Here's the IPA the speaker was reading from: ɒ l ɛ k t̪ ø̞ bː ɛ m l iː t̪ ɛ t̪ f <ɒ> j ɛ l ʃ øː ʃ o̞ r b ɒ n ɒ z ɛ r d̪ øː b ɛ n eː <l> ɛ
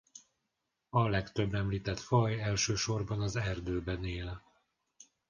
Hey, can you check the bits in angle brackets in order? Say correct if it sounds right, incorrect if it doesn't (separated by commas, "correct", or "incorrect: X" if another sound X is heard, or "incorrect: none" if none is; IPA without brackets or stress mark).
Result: correct, correct